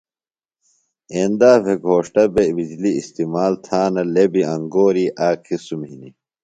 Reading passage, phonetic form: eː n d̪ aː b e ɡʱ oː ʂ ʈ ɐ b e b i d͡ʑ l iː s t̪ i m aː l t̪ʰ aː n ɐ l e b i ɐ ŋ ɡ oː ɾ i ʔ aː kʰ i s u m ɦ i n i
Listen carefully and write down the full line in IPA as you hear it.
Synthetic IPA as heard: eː n d̪ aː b e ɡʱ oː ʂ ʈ ɐ b e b i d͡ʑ l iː s t̪ i m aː l t̪ʰ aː n ɐ l e b i ɐ ŋ ɡ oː ɾ i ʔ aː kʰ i s u m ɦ i n i